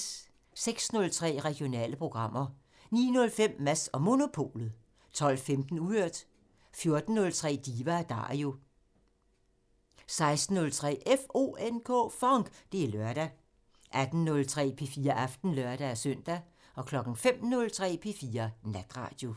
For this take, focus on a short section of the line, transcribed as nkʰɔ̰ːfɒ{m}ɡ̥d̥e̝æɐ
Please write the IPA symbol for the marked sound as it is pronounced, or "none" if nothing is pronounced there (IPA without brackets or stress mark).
ŋ